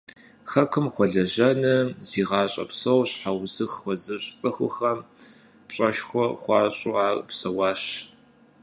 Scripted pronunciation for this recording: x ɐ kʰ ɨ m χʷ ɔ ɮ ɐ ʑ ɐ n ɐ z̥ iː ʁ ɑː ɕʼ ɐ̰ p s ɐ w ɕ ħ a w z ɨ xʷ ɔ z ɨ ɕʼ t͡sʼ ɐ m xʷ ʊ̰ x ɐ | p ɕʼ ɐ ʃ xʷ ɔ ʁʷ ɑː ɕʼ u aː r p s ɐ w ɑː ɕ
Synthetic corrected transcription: x ɐ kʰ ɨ m χʷ ɔ ɮ ɐ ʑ ɐ n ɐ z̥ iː ʁ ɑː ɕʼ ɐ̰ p s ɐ w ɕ ħ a w z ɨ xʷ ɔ z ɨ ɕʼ t͡sʼ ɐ xʷ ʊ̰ x ɐ | p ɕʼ ɐ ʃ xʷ ɔ χʷ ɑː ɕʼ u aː r p s ɐ w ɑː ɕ